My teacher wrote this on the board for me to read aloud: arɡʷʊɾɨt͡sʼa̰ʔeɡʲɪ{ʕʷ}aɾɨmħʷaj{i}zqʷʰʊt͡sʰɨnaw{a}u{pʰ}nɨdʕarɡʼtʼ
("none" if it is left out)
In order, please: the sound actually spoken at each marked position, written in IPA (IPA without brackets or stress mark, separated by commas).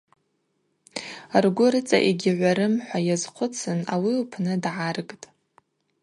ʕʷ, a, i, pʰ